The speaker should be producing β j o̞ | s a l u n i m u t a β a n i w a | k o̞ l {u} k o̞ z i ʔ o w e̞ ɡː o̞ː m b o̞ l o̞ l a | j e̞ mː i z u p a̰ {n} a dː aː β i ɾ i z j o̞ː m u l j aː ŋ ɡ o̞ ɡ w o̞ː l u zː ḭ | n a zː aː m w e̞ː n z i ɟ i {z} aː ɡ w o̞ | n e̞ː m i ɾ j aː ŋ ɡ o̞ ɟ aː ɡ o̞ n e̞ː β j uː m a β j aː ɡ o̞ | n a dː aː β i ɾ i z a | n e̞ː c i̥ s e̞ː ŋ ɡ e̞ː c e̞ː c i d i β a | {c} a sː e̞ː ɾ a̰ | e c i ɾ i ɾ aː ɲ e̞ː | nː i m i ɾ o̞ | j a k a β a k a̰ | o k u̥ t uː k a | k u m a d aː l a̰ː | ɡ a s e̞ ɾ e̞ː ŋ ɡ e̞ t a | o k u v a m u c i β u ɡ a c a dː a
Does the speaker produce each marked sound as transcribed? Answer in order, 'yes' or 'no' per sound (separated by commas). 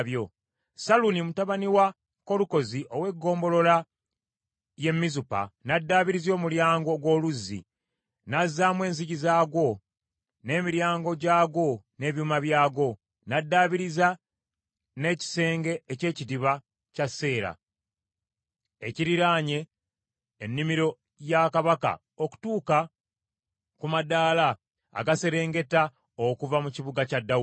yes, yes, yes, yes